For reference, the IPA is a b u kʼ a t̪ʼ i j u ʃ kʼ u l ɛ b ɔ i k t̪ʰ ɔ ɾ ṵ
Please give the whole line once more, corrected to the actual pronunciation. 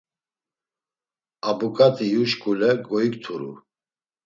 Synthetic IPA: a b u kʼ a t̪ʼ i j u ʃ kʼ u l ɛ ɡ ɔ i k t̪ʰ u ɾ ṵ